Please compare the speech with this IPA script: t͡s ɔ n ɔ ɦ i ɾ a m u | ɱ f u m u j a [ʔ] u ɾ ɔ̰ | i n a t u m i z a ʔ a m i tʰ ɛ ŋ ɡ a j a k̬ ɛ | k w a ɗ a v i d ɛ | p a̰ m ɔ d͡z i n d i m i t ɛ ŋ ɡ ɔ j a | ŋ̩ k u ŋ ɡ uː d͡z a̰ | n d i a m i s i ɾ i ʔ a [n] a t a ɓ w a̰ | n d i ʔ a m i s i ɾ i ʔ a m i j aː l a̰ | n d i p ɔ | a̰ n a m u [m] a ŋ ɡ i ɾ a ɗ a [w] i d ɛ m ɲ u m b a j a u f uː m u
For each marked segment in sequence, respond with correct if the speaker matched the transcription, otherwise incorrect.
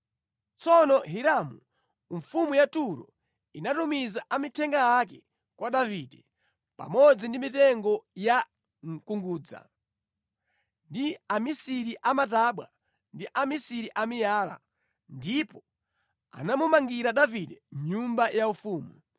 incorrect, incorrect, correct, incorrect

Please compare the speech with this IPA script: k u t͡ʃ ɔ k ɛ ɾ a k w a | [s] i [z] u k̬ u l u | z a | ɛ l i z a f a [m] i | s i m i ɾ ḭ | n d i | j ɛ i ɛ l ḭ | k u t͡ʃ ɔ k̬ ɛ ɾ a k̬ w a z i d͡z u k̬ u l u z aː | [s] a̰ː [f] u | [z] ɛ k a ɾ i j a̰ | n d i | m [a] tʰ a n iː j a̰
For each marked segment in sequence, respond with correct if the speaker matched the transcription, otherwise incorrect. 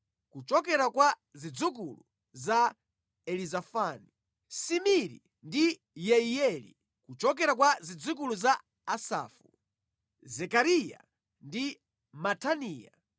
incorrect, incorrect, incorrect, correct, correct, correct, correct

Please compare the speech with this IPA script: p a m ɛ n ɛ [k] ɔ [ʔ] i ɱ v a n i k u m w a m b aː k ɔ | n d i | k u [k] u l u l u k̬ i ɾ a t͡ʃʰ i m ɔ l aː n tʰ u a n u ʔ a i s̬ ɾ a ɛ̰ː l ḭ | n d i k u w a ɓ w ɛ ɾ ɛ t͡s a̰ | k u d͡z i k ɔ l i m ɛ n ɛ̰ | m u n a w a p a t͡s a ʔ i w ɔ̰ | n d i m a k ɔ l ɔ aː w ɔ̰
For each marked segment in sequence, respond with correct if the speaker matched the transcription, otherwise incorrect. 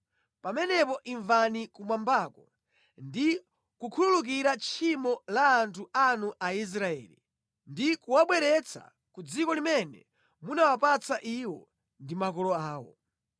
incorrect, correct, incorrect

